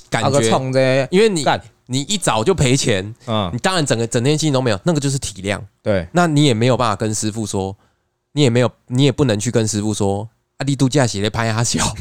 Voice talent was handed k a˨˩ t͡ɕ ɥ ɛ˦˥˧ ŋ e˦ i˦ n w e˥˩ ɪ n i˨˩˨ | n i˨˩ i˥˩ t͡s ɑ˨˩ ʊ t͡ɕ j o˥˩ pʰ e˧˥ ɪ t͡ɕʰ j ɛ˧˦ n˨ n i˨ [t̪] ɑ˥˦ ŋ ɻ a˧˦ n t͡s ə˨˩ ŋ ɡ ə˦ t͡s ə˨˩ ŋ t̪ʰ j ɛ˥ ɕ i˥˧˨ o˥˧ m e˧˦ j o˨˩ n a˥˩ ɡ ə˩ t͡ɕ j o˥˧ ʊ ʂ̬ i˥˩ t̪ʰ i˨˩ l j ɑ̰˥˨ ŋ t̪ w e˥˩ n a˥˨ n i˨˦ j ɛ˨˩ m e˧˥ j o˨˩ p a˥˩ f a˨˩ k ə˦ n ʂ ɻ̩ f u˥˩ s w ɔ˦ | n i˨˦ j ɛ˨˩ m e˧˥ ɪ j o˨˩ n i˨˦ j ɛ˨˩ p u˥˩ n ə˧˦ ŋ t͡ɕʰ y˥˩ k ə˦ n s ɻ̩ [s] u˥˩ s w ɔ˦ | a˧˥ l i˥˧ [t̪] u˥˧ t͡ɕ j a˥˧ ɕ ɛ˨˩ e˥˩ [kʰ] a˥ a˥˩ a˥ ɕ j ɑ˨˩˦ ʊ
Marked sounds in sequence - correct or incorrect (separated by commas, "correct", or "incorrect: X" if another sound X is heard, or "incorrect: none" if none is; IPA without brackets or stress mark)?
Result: correct, incorrect: f, correct, incorrect: pʰ